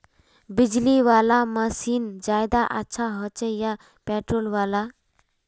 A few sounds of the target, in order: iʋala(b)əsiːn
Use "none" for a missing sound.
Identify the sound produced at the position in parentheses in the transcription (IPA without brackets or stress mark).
m